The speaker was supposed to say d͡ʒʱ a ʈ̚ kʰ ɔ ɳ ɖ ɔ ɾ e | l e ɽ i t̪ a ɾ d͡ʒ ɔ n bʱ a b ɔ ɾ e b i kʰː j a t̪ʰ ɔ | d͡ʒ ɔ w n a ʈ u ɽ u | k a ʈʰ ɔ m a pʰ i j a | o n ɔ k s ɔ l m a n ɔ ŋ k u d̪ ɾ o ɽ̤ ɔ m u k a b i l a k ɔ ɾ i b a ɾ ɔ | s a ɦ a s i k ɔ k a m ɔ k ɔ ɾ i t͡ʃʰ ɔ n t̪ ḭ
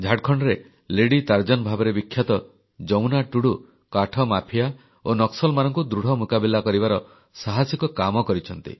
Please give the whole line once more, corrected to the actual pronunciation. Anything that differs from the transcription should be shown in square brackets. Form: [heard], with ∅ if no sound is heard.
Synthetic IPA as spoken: d͡ʒʱ a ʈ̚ kʰ ɔ ɳ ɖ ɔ ɾ e | l e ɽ i t̪ a ɾ d͡ʒ ɔ n bʱ a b ɔ ɾ e b i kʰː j a [t̪] ɔ | d͡ʒ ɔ w n a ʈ u ɽ u | k a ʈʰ ɔ m a pʰ i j a | o n ɔ k s ɔ l m a n ɔ ŋ k u d̪ ɾ [u] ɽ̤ ɔ m u k a b i l a k ɔ ɾ i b a ɾ ɔ | s a ɦ a s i k ɔ k a m ɔ k ɔ ɾ i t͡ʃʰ ɔ n t̪ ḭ